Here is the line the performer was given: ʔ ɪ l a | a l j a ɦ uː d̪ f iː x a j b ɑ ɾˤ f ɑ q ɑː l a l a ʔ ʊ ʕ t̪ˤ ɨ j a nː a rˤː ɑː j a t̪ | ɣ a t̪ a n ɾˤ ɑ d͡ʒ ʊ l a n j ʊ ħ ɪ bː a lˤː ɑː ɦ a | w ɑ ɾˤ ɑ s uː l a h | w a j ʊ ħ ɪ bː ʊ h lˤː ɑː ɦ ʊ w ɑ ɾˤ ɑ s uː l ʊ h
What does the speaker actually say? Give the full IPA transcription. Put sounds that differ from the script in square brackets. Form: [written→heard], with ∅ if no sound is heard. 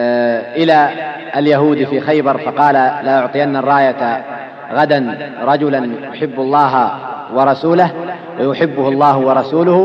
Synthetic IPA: ʔ ɪ l a | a l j a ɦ uː d̪ f iː x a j b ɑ ɾˤ f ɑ q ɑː l a l a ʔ ʊ ʕ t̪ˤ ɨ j a nː a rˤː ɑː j a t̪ | ɣ a [t̪→d̪] a n ɾˤ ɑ d͡ʒ ʊ l a n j ʊ ħ ɪ bː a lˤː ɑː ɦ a | w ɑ ɾˤ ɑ s uː l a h | w a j ʊ ħ ɪ bː ʊ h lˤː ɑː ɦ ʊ w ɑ ɾˤ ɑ s uː l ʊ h